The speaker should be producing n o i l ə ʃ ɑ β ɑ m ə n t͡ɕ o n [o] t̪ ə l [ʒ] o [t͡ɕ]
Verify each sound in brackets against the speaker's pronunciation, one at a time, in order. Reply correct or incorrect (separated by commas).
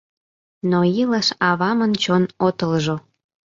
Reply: correct, correct, incorrect